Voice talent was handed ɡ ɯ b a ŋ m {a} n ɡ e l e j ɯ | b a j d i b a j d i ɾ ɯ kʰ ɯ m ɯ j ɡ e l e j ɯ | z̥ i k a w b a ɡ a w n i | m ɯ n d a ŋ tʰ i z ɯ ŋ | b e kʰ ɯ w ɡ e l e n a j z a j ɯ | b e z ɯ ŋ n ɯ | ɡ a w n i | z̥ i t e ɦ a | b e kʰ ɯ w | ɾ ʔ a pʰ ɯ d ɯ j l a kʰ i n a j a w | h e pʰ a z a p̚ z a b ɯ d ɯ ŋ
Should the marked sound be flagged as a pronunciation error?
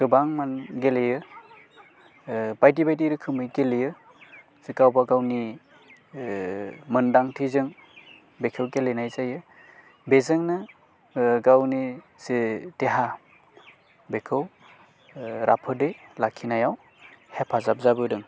no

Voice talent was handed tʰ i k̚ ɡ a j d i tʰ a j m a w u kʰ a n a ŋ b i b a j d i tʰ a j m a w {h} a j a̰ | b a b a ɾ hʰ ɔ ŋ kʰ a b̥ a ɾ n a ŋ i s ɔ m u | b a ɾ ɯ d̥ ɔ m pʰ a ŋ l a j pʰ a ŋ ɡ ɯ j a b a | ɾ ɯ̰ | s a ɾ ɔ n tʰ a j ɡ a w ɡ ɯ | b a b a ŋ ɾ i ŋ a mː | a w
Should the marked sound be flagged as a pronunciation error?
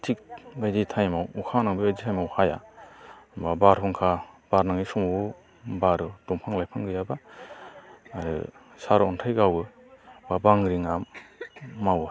no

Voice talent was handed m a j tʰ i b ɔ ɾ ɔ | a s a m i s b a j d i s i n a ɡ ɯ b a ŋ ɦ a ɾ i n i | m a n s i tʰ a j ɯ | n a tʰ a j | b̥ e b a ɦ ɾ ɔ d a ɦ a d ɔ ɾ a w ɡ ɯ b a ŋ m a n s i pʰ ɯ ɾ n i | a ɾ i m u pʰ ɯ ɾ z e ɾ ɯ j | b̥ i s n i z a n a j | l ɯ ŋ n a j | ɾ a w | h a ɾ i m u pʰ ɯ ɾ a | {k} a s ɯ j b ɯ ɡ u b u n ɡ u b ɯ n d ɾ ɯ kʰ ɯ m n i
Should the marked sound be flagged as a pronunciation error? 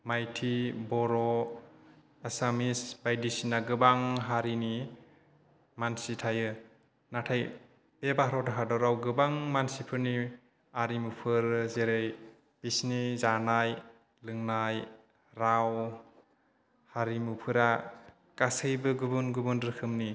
no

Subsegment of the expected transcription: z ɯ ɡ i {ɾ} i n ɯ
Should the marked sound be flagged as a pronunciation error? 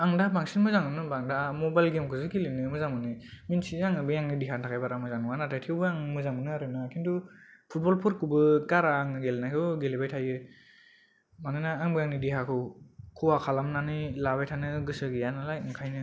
yes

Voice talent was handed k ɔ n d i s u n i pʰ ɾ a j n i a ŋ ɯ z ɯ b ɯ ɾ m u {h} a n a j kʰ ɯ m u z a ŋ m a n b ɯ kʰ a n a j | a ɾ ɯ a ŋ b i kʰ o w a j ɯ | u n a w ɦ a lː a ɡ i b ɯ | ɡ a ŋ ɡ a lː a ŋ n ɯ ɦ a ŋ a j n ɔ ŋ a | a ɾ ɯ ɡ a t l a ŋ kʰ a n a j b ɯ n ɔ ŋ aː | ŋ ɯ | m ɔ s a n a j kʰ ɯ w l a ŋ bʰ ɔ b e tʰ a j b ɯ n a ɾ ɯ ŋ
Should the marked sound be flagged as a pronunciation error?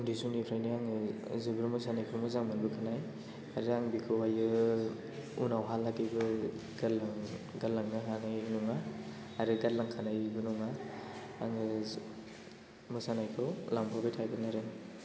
yes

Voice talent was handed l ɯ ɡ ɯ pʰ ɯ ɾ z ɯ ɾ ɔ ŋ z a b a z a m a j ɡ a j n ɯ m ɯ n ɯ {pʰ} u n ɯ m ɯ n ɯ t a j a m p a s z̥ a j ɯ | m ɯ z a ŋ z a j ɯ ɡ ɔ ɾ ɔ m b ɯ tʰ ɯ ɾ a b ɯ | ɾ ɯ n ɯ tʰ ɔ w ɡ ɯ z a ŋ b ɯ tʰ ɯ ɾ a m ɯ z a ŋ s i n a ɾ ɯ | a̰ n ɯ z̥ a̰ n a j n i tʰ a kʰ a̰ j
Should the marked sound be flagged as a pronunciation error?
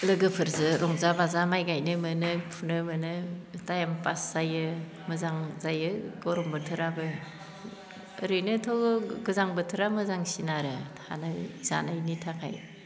no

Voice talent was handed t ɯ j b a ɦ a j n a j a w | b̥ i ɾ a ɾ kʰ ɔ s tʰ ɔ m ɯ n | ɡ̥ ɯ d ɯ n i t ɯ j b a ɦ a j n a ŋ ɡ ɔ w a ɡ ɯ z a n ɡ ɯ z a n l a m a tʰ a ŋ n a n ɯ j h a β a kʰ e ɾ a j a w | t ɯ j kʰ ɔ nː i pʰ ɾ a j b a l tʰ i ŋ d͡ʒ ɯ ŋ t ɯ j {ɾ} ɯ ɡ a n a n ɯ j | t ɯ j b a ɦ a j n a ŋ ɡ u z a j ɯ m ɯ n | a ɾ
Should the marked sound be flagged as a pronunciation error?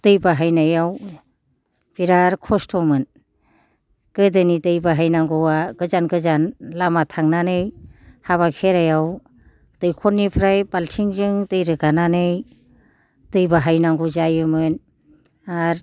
no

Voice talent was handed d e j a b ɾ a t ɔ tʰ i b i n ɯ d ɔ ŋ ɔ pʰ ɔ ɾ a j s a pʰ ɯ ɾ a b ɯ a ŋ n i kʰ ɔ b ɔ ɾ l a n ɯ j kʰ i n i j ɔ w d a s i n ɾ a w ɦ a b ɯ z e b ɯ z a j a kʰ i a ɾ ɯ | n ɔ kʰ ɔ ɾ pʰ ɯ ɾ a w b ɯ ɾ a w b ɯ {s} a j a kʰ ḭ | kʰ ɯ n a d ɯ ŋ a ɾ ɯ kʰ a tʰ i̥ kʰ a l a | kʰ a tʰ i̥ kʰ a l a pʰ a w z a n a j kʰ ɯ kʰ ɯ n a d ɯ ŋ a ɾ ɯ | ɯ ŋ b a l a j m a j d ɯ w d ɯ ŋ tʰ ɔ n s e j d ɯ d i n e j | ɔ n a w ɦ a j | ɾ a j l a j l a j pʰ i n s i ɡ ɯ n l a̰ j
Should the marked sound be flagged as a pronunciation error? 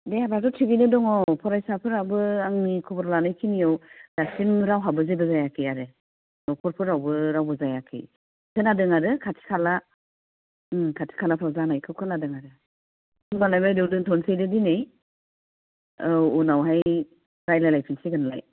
yes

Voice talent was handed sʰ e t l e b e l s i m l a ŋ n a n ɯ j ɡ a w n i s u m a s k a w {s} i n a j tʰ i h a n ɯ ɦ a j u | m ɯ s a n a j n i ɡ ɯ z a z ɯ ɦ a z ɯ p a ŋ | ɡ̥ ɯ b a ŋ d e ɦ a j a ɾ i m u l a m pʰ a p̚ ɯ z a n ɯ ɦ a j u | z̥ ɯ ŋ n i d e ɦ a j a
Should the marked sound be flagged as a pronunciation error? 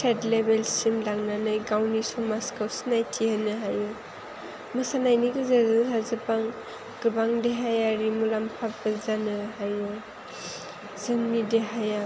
no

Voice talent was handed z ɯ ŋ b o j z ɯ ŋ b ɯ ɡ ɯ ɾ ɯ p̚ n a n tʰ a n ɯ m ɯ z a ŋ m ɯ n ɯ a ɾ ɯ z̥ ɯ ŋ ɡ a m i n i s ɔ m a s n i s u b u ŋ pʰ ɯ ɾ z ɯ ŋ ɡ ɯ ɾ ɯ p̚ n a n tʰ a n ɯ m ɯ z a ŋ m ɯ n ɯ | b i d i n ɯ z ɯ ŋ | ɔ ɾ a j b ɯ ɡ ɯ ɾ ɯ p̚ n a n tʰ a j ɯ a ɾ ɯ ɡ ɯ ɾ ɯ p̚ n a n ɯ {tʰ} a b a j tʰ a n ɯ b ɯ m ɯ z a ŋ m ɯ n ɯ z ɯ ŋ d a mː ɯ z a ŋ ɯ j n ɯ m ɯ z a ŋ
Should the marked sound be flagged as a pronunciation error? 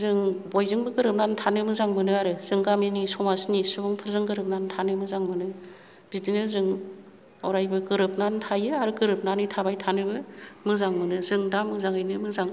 no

